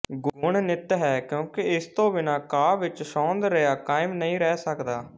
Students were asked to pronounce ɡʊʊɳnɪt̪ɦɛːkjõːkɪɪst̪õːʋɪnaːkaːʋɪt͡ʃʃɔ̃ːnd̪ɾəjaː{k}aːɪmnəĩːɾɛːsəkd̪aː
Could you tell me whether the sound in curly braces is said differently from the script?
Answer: no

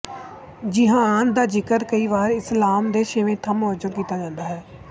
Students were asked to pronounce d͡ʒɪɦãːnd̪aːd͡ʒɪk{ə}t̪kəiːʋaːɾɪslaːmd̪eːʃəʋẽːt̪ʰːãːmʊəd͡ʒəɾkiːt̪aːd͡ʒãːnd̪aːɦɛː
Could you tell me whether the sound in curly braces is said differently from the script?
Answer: no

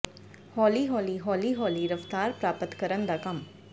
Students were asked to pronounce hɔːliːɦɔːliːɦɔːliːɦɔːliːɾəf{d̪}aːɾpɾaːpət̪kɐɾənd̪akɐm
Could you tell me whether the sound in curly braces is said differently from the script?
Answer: yes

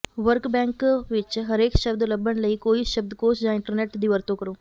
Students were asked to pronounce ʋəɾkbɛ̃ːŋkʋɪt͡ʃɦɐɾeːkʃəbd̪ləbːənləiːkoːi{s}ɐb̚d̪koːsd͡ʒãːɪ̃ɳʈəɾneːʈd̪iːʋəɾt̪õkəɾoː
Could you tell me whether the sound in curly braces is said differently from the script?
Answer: yes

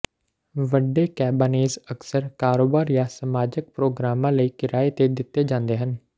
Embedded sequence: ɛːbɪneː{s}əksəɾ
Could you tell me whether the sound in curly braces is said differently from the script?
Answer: yes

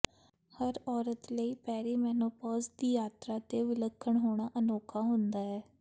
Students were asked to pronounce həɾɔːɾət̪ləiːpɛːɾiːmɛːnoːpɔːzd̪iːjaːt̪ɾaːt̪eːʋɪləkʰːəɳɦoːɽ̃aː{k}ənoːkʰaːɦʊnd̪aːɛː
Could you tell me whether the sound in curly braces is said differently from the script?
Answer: yes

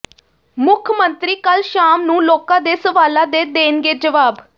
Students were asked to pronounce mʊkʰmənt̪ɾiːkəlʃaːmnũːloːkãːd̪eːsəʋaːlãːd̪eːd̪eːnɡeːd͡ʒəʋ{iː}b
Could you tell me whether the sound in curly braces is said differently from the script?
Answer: yes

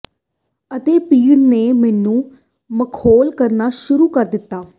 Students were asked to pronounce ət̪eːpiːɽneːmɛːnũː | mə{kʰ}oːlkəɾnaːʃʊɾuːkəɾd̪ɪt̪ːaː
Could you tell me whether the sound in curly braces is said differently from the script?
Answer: no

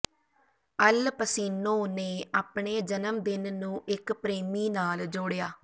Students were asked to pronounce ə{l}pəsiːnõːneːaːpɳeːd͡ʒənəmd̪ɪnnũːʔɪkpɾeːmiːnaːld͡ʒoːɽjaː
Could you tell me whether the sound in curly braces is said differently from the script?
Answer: no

